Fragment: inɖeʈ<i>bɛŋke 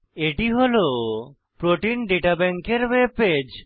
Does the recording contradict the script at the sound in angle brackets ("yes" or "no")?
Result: yes